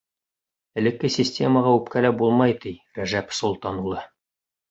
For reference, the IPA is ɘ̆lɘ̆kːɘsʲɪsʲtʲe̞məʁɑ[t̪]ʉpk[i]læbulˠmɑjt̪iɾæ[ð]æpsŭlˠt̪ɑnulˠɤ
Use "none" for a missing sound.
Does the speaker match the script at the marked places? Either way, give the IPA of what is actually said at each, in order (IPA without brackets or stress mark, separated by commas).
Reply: none, æ, ʒ